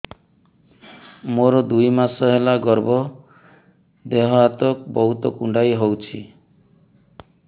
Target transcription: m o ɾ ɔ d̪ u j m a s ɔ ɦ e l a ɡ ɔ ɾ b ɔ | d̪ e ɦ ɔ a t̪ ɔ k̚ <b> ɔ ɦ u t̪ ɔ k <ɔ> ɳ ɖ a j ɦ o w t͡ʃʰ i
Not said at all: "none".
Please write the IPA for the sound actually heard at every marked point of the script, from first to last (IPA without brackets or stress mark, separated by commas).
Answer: b, u